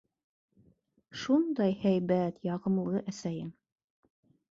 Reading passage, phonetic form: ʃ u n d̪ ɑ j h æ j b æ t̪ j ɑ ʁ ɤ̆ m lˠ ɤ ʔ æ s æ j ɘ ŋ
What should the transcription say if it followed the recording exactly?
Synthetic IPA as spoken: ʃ u n d̪ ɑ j h æ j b æ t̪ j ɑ ʁ ɤ̆ m lˠ ɤ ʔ æ s æ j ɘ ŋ